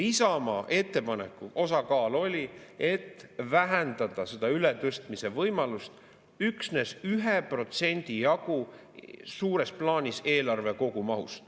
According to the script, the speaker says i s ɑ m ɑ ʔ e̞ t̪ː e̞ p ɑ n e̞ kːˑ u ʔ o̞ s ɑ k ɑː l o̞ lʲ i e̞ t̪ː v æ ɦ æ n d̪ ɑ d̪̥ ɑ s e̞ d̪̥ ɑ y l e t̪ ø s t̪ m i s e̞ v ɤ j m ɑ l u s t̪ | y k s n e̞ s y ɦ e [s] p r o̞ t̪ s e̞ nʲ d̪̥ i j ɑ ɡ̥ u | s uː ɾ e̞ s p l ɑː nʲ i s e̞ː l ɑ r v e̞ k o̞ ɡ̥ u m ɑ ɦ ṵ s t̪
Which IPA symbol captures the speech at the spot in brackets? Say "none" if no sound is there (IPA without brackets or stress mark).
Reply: none